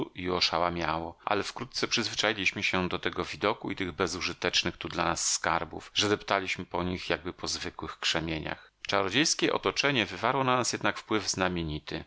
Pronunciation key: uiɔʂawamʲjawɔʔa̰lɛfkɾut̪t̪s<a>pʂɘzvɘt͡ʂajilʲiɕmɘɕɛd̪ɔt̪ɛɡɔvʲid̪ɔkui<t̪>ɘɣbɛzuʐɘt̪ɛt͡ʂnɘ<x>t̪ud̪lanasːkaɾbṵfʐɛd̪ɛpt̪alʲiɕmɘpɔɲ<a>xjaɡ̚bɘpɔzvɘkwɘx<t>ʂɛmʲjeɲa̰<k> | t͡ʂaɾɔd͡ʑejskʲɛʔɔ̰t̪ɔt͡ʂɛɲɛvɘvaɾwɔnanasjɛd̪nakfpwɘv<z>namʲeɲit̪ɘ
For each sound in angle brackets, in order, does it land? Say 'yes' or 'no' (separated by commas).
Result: no, yes, yes, no, no, no, yes